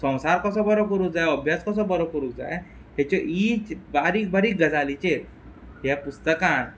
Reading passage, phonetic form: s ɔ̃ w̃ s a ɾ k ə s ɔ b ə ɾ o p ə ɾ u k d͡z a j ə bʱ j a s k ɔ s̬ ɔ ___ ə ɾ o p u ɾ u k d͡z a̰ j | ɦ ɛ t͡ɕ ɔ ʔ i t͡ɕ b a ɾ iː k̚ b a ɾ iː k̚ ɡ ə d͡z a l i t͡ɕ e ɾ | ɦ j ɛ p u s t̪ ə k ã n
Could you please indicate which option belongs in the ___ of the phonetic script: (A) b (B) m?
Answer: A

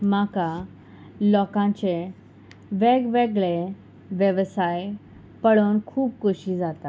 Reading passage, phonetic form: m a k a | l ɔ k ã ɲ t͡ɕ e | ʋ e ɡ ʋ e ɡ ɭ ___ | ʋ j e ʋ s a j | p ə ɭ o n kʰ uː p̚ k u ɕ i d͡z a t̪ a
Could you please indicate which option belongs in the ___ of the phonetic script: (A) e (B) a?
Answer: A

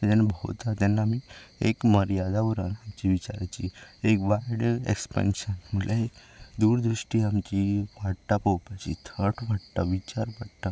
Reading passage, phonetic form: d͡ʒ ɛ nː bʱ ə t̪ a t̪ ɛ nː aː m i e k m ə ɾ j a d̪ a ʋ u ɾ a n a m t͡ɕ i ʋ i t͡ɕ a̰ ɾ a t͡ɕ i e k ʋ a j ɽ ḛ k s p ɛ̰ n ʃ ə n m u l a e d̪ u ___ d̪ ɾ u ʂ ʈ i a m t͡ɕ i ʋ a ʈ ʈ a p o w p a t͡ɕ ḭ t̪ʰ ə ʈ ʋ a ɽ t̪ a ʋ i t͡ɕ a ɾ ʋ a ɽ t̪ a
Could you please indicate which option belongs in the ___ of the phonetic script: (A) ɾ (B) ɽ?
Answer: A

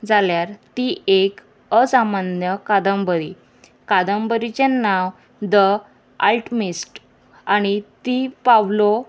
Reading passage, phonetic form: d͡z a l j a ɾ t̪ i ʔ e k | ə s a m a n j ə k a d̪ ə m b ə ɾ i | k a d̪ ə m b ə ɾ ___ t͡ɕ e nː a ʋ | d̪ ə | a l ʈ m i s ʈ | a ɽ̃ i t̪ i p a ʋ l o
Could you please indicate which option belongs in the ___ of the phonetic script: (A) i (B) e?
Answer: A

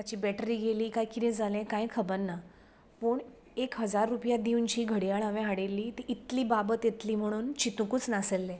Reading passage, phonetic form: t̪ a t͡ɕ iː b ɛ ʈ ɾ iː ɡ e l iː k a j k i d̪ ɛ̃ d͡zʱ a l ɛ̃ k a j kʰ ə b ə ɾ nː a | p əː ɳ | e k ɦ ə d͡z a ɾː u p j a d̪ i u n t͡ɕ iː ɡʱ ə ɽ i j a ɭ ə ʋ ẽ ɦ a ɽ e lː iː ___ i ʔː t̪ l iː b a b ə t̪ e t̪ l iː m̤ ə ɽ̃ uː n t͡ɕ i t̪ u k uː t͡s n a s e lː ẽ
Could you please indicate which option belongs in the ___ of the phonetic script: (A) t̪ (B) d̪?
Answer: A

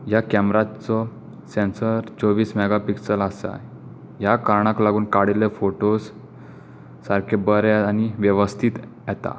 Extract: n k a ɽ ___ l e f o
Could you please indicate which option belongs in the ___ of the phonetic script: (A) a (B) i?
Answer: B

